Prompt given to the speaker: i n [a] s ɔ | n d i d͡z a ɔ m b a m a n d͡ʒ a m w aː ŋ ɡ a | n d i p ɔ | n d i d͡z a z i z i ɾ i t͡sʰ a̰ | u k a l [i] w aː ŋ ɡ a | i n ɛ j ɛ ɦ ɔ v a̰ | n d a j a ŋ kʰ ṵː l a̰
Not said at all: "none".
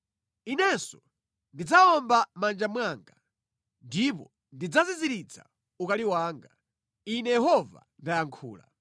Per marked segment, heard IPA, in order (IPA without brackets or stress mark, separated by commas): ɛ, i